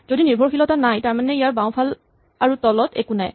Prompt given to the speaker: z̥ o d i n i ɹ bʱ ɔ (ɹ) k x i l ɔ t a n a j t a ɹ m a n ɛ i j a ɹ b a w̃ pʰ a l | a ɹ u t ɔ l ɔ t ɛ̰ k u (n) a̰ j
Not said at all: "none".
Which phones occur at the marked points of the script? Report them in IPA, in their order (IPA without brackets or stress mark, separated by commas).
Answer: ɹ, n